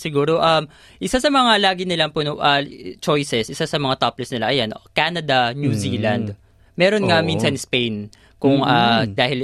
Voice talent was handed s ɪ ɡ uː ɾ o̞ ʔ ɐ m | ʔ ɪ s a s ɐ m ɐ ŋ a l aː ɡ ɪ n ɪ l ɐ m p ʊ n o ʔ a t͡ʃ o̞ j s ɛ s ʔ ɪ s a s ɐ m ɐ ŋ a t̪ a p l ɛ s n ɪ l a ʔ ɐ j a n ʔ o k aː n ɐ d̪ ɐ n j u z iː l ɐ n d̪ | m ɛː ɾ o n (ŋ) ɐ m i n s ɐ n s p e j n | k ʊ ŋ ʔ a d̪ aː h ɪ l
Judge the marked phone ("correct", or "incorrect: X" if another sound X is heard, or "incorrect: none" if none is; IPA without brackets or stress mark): correct